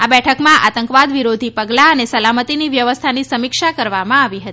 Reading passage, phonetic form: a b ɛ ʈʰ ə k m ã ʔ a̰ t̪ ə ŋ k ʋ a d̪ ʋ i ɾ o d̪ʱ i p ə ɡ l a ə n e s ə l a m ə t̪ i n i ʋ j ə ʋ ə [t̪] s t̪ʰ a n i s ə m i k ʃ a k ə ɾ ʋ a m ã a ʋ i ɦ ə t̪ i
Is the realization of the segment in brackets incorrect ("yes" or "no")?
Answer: yes